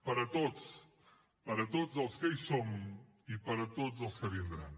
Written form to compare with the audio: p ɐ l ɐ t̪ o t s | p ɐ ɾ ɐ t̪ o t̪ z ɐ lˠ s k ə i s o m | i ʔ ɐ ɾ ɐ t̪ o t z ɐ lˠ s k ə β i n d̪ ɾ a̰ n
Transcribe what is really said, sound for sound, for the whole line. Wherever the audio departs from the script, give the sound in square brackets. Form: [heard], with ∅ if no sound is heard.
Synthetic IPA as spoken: p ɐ [ɾ] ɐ t̪ o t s | p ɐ ɾ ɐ t̪ o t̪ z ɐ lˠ s k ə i s o m | i [p] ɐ ɾ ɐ t̪ o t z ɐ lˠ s k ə β i n d̪ ɾ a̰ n